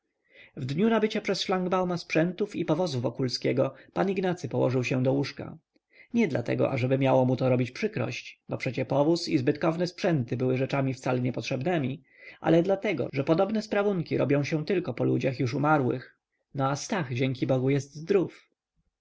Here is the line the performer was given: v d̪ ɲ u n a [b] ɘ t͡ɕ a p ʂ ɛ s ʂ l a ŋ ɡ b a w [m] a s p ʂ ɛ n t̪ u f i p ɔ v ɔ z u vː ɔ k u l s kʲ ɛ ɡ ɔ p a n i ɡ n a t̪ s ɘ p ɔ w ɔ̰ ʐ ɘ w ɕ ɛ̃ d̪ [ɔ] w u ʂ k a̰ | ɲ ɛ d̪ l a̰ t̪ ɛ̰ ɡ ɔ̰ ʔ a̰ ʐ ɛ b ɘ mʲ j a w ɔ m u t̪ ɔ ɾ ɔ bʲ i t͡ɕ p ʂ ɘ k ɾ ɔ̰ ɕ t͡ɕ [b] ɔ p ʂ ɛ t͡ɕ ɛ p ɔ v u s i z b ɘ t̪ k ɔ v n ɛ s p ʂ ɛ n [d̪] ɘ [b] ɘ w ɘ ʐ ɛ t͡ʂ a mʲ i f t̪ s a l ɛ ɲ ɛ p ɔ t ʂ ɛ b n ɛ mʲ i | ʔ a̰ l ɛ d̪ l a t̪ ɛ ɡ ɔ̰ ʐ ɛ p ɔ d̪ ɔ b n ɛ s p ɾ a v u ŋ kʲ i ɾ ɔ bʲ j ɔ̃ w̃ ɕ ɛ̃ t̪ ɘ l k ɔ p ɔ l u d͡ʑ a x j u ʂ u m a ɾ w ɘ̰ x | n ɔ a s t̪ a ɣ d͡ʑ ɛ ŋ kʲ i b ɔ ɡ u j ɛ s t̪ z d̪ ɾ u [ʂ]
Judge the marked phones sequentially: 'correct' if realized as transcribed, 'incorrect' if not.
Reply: correct, correct, correct, correct, incorrect: t̪, correct, incorrect: f

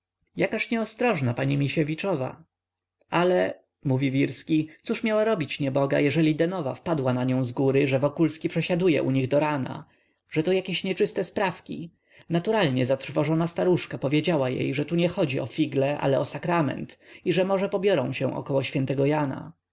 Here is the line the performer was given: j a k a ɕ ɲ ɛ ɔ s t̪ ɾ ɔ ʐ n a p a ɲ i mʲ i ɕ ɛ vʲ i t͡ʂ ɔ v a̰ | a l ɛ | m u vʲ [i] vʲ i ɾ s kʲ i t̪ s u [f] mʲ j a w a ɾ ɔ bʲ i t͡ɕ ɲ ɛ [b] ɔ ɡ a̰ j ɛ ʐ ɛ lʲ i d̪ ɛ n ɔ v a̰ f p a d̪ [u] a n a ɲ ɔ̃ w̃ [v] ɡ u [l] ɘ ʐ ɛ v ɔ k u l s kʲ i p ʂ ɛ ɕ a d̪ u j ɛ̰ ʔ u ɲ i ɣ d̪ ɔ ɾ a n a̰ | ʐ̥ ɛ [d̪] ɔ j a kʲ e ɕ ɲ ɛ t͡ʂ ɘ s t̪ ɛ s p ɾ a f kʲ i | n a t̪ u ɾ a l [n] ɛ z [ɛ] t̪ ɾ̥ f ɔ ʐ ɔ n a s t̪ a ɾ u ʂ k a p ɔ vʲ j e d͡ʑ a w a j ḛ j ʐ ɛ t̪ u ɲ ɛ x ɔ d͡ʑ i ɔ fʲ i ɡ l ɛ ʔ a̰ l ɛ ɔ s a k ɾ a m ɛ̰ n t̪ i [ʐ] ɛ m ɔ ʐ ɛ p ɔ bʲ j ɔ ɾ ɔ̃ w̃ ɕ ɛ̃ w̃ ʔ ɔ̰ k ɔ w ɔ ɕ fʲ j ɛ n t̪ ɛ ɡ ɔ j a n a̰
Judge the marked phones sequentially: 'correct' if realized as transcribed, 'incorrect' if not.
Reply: correct, incorrect: ʂ, correct, incorrect: w, incorrect: z, incorrect: ɾ, incorrect: t̪, incorrect: ɲ, incorrect: a, correct

